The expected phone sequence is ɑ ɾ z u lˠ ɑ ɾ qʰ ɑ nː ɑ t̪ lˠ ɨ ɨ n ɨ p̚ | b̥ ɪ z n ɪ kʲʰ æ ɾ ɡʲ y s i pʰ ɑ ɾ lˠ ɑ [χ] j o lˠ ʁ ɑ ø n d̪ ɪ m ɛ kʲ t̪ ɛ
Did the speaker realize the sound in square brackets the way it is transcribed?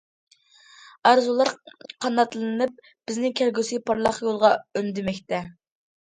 yes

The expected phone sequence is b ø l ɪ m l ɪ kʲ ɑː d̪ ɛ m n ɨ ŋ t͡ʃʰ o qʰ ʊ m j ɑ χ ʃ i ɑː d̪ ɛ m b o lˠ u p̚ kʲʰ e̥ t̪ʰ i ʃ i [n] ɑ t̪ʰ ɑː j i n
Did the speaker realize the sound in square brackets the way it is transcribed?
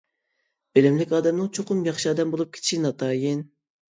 yes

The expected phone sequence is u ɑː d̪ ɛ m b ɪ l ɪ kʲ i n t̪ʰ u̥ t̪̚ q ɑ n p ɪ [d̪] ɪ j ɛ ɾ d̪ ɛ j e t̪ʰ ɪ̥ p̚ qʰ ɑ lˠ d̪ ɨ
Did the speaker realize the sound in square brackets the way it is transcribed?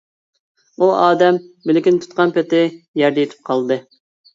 no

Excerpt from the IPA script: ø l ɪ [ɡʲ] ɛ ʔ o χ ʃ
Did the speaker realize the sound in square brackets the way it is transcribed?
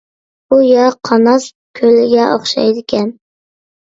yes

